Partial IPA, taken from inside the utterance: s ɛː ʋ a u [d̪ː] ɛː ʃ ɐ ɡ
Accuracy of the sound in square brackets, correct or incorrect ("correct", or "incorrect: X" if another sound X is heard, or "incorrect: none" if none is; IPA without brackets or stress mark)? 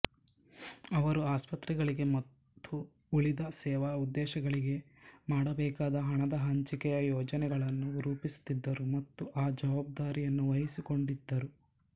correct